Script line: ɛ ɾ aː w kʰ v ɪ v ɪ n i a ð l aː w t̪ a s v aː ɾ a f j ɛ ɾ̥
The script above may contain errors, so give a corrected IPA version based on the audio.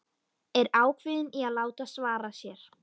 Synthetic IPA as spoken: ɛ ɾ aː w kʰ v ɪ ð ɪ n i a ð l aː w t̪ a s v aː ɾ a s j ɛ ɾ̥